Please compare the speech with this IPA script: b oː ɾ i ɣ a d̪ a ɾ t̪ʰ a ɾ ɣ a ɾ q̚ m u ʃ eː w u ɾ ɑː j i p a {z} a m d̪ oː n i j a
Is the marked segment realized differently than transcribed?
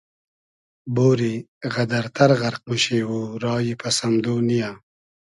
yes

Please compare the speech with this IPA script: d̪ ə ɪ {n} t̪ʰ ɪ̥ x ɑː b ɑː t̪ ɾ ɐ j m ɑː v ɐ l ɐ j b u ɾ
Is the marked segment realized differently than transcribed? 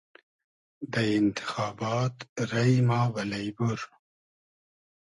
no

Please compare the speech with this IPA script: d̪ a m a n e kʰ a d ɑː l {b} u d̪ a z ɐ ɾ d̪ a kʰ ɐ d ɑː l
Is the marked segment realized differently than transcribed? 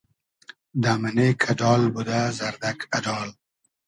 no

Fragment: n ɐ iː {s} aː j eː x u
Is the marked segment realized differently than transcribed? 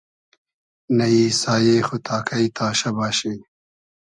no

